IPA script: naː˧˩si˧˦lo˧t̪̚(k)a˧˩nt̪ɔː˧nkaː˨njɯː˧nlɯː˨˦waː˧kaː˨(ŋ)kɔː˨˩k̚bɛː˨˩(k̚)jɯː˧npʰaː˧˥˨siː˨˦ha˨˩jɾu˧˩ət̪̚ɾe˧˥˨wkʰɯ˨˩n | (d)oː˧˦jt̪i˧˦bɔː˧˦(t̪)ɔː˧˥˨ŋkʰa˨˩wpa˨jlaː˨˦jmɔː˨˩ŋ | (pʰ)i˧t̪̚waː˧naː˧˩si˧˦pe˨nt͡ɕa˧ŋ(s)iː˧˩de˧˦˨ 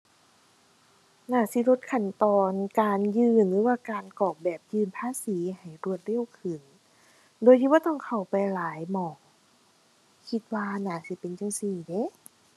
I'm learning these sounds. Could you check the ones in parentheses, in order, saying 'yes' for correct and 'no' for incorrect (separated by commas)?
no, no, no, yes, yes, no, yes